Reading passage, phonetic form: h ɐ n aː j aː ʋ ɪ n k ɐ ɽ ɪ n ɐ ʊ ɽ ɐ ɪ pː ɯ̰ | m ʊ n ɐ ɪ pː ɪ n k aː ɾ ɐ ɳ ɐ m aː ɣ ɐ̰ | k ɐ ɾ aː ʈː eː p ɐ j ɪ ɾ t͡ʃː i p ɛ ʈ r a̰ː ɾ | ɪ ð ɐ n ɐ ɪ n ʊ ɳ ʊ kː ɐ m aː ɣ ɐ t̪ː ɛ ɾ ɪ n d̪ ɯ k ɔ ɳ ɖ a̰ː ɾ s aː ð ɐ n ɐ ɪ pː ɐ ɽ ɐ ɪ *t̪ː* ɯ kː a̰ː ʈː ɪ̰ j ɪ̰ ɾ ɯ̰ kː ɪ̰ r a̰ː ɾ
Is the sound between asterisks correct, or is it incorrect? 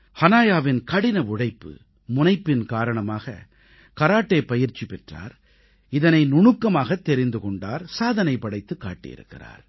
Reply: correct